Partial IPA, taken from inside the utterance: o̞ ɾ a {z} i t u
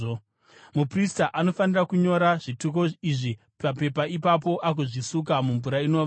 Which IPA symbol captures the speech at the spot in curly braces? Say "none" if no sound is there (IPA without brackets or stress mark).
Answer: ʐ